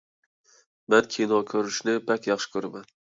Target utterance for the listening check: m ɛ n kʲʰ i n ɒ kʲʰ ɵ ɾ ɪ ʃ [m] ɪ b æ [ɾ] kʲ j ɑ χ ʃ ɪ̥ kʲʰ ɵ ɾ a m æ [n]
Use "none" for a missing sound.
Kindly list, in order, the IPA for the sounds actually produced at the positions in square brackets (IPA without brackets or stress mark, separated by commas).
n, none, n